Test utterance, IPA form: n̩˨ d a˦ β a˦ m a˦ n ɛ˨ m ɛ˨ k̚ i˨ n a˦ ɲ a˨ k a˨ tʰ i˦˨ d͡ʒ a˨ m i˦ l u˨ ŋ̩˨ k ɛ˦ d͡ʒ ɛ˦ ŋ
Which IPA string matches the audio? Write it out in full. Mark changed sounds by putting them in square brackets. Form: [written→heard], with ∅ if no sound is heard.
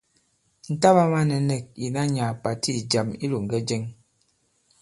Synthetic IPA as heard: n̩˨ [d→t] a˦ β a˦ m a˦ n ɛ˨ [m→n] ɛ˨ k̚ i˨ n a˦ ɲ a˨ [k→p] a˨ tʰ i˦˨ d͡ʒ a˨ m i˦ l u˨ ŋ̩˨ [k→ɡ] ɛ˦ d͡ʒ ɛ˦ ŋ